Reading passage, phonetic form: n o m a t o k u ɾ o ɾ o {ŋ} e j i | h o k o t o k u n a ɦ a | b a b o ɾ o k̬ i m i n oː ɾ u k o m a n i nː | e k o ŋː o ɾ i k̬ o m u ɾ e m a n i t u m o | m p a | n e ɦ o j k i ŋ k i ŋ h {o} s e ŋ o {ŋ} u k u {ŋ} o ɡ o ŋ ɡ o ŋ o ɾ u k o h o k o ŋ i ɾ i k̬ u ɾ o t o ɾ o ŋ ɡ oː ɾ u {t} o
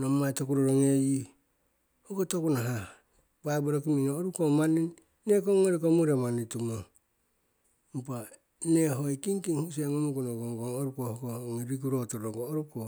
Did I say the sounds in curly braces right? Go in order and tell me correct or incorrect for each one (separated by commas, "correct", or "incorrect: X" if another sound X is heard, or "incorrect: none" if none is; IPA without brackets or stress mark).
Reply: correct, incorrect: u, incorrect: m, incorrect: n, incorrect: k